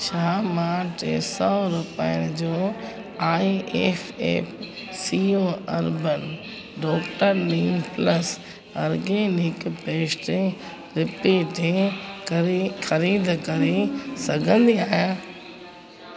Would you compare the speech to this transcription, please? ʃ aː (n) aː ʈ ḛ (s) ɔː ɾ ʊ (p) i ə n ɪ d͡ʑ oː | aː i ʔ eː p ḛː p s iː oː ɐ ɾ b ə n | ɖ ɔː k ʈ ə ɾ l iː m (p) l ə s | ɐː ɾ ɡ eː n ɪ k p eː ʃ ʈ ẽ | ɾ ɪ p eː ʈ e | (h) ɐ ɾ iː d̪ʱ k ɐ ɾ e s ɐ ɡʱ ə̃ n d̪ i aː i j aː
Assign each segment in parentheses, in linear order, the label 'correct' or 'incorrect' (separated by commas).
incorrect, correct, correct, correct, incorrect